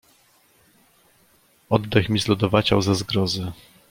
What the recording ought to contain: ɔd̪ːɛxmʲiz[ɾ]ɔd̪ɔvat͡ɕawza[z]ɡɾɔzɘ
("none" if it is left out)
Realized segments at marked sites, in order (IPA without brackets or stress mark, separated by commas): l, z